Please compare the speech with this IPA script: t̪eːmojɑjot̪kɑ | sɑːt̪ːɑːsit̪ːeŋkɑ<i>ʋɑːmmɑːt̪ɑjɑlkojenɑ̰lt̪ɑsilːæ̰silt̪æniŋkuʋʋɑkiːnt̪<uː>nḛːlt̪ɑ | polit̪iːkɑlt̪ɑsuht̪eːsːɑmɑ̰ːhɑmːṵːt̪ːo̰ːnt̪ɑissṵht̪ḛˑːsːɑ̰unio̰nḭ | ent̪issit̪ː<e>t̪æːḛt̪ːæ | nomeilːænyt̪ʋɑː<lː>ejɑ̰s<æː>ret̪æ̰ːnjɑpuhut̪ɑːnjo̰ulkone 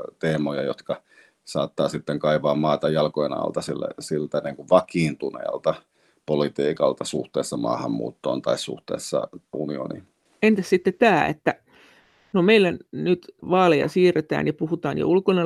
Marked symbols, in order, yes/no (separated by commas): yes, no, yes, no, no